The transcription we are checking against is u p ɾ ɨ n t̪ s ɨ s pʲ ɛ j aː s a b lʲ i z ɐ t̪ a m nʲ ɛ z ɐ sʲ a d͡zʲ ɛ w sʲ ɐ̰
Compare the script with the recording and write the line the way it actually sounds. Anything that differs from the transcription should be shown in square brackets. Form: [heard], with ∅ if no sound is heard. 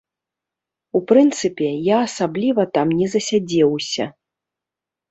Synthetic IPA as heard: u p ɾ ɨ n t̪ s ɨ [∅] pʲ ɛ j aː s a b lʲ i [v] ɐ t̪ a m nʲ ɛ z ɐ sʲ a d͡zʲ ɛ w sʲ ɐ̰